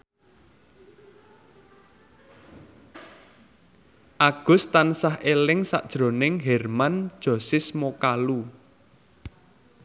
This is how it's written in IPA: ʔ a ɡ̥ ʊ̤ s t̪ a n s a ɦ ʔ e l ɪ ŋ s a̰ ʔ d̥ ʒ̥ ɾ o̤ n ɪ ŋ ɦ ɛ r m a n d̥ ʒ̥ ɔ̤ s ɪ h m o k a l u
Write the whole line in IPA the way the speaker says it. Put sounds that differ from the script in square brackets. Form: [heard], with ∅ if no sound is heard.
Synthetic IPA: ʔ a ɡ̥ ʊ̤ s t̪ a n s a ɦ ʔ e l ɪ ŋ s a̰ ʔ d̥ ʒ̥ ɾ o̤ n ɪ ŋ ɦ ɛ r m a n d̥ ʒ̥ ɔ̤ s ɪ [s] m o k a l u